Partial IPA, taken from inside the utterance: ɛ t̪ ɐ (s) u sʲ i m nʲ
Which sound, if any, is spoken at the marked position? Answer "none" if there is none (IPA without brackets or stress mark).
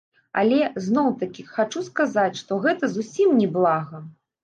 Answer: z